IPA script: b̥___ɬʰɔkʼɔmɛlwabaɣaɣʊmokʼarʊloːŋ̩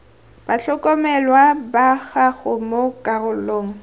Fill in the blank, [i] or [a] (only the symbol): a